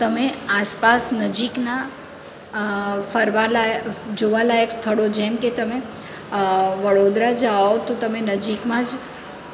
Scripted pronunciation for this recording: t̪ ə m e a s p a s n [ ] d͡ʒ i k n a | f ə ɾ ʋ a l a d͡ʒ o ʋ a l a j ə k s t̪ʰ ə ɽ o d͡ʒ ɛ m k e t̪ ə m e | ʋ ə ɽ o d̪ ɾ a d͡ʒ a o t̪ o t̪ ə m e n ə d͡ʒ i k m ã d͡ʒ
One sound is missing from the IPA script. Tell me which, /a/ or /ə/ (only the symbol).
ə